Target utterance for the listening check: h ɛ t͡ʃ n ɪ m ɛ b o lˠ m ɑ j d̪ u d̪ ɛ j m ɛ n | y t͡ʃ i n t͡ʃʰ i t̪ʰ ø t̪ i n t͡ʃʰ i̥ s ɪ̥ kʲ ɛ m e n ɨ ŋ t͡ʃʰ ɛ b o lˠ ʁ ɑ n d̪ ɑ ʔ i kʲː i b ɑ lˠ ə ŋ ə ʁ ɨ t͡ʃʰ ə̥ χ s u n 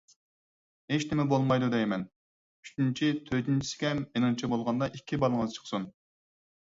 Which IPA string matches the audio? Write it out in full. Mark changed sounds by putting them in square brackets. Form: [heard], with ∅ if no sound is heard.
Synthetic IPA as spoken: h [e] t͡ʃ n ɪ m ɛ b o lˠ m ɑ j d̪ u d̪ ɛ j m ɛ n | y t͡ʃ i n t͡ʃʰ i t̪ʰ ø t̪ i n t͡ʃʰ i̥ s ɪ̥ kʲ ɛ m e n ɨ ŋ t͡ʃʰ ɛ b o lˠ ʁ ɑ n d̪ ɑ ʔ i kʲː i b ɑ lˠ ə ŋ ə [z] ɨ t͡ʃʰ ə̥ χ s u n